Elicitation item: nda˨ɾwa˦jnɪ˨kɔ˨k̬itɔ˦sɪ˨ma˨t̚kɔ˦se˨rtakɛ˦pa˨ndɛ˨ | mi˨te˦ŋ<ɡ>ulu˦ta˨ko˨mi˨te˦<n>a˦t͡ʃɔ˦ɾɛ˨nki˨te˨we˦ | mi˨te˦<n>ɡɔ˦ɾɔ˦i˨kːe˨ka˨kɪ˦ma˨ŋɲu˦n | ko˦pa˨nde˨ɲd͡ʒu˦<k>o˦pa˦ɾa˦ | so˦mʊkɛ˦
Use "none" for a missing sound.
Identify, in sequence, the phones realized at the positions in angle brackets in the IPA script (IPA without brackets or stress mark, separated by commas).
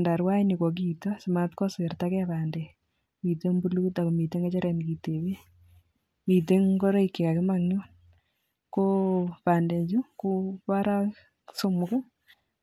b, ŋ, ŋ, k